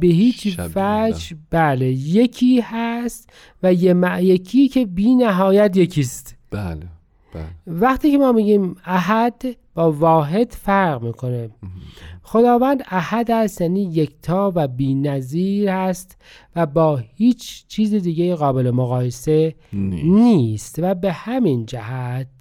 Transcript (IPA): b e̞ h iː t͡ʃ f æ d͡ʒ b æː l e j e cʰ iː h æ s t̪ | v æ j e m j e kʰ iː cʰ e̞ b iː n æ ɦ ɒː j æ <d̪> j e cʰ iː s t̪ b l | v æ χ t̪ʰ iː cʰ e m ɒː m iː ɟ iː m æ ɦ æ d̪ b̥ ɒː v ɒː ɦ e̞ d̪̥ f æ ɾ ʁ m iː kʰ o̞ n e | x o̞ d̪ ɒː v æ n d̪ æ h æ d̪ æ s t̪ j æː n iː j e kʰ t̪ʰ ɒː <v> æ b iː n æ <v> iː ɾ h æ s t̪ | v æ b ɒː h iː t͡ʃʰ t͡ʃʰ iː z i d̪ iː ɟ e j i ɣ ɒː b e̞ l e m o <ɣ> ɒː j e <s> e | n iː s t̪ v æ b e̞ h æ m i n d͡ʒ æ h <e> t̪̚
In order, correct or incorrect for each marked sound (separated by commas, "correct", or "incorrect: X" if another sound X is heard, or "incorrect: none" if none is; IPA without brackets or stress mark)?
incorrect: t̪, correct, incorrect: z, correct, correct, incorrect: æ